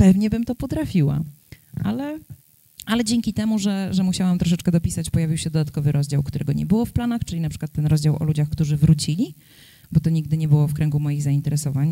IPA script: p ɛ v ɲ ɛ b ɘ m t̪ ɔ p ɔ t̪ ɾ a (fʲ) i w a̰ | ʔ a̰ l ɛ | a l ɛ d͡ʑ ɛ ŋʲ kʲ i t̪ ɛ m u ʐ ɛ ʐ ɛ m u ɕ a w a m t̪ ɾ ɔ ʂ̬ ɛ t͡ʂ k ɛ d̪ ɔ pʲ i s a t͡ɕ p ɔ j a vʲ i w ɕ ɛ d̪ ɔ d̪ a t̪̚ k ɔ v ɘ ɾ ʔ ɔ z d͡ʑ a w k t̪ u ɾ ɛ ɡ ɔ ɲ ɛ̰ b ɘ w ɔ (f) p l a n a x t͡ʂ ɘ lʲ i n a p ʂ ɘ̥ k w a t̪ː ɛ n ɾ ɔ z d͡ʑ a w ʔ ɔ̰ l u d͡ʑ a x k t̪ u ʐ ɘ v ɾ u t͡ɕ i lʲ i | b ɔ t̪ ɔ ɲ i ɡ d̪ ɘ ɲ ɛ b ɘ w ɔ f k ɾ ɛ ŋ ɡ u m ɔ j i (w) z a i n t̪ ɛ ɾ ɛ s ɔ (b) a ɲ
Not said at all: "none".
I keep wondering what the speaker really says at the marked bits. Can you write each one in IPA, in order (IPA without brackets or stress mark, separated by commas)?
fʲ, f, ɣ, v